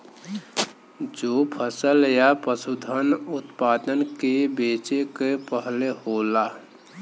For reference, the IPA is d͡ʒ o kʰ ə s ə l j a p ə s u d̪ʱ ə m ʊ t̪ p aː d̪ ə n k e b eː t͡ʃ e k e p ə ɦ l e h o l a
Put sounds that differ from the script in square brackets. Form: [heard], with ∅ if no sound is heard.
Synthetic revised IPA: d͡ʒ o [pʰ] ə s ə l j a p ə s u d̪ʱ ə [n] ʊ t̪ p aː d̪ ə n k e b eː t͡ʃ e k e p ə ɦ l e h o l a